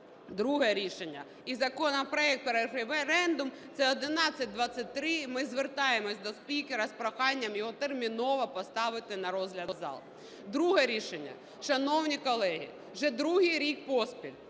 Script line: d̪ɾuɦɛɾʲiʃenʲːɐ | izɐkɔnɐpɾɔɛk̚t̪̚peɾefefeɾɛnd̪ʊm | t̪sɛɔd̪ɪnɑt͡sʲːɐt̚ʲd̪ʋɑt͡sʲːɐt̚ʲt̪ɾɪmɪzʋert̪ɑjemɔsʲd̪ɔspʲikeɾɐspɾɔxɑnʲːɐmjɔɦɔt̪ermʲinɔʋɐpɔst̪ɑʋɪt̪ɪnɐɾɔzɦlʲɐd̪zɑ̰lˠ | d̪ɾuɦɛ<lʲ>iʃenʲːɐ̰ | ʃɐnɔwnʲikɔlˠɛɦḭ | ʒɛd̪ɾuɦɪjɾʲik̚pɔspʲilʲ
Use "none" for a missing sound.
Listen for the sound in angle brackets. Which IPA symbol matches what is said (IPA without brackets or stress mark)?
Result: ɾʲ